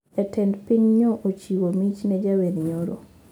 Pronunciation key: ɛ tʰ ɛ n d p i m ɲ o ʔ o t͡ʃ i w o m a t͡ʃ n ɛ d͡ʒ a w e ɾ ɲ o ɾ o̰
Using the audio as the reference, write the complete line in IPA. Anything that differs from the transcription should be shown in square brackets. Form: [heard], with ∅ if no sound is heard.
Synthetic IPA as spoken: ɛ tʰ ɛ n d p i [ɲ] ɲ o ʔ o t͡ʃ i w o m [i] t͡ʃ n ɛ d͡ʒ a w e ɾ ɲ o ɾ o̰